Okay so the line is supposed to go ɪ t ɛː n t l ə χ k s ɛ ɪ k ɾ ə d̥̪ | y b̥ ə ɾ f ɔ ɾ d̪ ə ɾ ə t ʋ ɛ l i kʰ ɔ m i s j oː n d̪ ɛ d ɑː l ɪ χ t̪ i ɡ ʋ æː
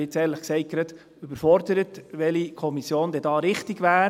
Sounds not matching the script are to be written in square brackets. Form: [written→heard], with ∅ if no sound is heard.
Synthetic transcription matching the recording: ɪ [t→t͡s] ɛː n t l ə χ k s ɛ ɪ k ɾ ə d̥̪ | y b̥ ə ɾ f ɔ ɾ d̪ ə ɾ ə t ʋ ɛ l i kʰ ɔ m i s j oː n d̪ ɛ d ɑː [l→ɾ] ɪ χ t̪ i ɡ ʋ æː